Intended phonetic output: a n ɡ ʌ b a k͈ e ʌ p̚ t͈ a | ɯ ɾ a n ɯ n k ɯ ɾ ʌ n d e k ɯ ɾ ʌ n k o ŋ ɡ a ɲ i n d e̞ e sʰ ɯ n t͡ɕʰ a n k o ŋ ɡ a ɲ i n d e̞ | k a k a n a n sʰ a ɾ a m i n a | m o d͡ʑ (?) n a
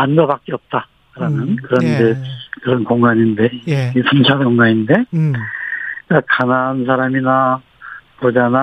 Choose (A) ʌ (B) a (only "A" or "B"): B